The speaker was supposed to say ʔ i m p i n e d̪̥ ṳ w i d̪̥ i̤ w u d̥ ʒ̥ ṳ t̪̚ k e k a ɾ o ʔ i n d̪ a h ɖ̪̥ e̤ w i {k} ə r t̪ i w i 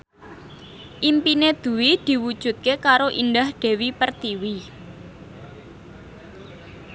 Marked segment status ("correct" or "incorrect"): incorrect